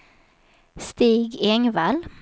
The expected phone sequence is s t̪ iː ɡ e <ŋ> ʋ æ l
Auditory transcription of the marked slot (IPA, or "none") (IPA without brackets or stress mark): ŋ